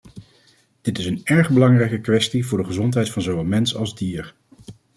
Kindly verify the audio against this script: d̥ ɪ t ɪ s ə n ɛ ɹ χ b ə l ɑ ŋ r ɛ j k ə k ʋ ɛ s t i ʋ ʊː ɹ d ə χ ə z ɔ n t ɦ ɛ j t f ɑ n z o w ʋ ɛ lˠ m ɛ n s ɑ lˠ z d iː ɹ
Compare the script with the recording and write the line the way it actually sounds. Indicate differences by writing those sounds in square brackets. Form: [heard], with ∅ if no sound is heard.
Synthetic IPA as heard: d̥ ɪ t ɪ s ə n ɛ ɹ χ b ə l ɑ ŋ r ɛ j k ə k ʋ ɛ s t i [v] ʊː ɹ d ə χ ə z ɔ n t ɦ ɛ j t f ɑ n z o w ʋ ɛ lˠ m ɛ n s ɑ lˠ z d iː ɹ

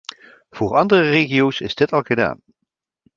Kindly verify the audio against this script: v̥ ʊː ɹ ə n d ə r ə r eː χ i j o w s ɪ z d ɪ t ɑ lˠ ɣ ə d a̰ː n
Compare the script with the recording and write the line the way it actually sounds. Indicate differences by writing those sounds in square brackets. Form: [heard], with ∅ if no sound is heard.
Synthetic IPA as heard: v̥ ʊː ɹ [ɑ] n d ə r ə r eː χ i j o w s ɪ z d ɪ t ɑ lˠ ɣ ə d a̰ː n

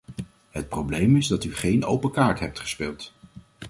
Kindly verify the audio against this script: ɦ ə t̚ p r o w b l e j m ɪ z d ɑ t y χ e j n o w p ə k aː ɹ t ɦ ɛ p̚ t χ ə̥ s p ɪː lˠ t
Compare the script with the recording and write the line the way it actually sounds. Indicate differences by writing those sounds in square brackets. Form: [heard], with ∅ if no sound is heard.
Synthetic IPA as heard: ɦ ə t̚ p r o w b l e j m ɪ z d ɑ t y χ e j n o w p ə k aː ɹ t ɦ ɛ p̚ t χ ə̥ s p ɪː lˠ t

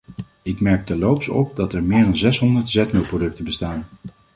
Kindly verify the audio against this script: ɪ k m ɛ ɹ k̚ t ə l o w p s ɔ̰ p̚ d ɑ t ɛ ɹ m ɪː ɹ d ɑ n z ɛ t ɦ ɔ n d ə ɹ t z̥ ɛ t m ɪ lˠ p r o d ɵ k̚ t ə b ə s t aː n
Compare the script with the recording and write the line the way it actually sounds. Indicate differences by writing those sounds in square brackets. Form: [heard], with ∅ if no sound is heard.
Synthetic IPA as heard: ɪ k m ɛ ɹ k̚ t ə l o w p s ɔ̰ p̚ d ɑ t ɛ ɹ m ɪː ɹ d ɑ n z ɛ [s] ɦ ɔ n d ə ɹ t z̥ ɛ t m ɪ lˠ p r o d ɵ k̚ t ə b ə s t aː n

